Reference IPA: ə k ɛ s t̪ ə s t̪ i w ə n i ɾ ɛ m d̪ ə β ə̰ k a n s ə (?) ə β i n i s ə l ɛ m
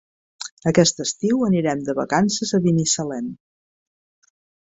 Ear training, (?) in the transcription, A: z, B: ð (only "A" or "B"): A